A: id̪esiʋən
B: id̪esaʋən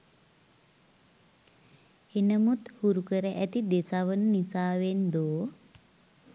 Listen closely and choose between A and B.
B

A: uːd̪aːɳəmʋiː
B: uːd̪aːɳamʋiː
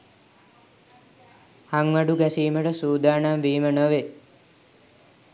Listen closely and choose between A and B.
B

